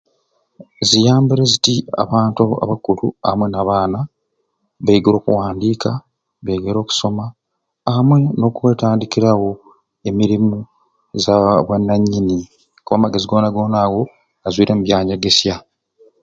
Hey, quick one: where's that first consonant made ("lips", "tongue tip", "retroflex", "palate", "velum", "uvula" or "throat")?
tongue tip